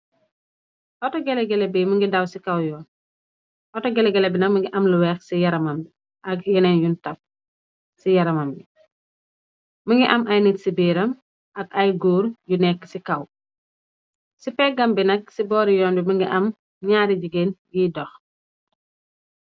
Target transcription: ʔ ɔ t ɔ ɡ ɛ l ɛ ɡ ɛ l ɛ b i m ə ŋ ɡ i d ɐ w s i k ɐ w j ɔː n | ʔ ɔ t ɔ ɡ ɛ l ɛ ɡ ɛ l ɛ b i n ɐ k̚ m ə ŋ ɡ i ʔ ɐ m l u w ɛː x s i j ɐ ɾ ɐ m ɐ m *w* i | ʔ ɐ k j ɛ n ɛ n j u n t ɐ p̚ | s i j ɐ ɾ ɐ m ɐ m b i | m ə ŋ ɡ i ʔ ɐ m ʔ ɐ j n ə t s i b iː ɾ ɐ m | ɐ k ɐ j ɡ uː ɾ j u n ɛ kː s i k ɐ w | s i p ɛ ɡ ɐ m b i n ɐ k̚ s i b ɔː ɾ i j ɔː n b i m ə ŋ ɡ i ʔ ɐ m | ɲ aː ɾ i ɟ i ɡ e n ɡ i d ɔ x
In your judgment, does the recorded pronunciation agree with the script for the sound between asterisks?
no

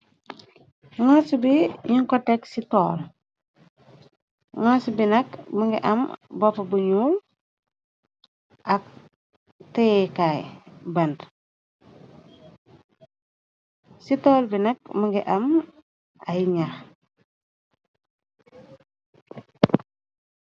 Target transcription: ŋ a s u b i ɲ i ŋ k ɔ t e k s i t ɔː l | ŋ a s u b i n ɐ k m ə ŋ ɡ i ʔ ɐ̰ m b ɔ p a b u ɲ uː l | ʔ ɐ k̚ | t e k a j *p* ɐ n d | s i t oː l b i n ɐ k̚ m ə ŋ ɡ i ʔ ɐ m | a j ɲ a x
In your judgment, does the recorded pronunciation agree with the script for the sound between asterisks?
no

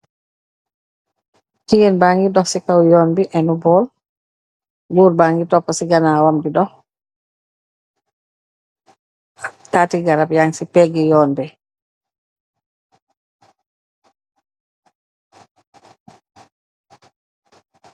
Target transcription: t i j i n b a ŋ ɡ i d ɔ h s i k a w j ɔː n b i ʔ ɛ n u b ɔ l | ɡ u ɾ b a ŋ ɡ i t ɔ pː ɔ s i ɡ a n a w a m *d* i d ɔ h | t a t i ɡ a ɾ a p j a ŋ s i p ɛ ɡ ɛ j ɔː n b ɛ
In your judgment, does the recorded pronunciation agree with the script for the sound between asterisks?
yes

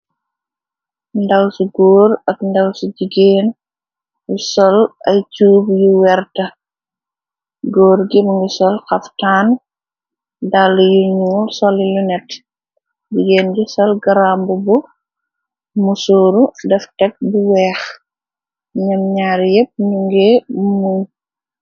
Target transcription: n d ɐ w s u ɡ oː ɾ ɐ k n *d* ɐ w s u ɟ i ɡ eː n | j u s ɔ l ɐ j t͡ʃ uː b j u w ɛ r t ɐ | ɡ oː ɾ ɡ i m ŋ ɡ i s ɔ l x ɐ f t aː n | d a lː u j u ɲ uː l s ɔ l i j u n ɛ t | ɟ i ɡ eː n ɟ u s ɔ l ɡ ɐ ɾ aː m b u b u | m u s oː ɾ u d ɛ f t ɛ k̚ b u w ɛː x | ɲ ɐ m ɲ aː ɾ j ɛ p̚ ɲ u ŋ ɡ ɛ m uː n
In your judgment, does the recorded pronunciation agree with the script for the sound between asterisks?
yes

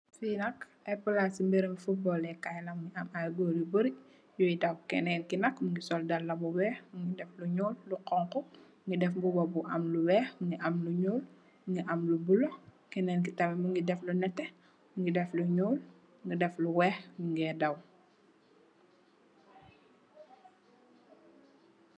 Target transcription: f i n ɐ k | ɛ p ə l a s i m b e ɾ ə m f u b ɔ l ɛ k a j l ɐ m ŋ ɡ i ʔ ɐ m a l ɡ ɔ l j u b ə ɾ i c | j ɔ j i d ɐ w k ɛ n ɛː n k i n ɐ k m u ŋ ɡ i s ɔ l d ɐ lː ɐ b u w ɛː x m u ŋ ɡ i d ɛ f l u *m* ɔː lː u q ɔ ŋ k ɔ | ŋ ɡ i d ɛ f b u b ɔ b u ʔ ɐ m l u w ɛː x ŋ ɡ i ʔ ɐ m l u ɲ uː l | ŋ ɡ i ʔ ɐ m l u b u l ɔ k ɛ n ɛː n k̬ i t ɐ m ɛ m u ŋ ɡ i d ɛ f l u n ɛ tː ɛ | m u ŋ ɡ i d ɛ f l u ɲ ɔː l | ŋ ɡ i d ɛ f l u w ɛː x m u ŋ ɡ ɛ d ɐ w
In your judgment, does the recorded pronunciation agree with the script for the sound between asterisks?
no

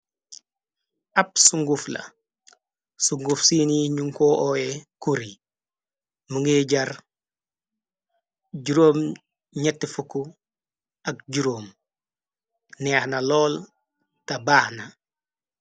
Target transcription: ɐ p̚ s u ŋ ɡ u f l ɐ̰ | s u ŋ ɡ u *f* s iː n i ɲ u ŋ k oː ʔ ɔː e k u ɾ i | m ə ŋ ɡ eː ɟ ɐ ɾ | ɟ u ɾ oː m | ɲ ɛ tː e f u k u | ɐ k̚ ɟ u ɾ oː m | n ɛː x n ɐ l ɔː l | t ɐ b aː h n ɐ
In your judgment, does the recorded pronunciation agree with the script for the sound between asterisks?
yes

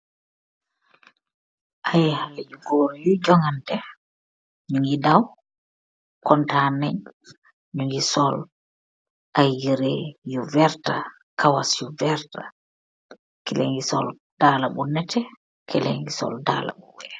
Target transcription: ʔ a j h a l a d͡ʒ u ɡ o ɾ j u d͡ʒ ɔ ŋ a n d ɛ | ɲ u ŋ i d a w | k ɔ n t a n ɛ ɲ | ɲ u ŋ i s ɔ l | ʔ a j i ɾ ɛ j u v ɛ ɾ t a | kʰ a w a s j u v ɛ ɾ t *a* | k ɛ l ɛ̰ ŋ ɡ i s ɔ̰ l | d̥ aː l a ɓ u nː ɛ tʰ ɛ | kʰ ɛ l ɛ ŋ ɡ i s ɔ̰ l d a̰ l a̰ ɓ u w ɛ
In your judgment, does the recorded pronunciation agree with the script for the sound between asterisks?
yes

